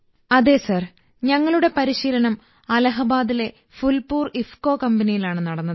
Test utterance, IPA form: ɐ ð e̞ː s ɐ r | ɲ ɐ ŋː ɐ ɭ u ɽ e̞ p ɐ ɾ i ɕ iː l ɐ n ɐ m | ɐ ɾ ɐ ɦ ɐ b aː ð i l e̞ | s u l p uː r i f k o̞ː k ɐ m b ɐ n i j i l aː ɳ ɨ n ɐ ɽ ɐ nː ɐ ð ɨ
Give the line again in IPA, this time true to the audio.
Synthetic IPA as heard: ɐ ð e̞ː s ɐ r | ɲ ɐ ŋː ɐ ɭ u ɽ e̞ p ɐ ɾ i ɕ iː l ɐ n ɐ m | ɐ l ɐ ɦ ɐ b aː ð i l e̞ | f u l p uː r i f k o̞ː k ɐ m b ɐ n i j i l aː ɳ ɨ n ɐ ɽ ɐ nː ɐ ð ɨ